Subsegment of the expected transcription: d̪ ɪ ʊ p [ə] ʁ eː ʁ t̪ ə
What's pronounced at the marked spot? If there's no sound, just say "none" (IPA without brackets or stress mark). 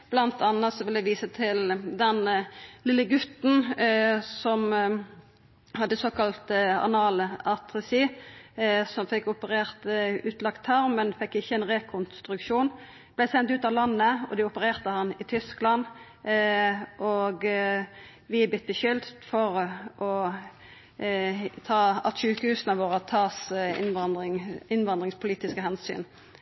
ə